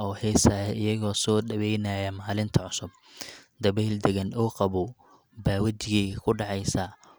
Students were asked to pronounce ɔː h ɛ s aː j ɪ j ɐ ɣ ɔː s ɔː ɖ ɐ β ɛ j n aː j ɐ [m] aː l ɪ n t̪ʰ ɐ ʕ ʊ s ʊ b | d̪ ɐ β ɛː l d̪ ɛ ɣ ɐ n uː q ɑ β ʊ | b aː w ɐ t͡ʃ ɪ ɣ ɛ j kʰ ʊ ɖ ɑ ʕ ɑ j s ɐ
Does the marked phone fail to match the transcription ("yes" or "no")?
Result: no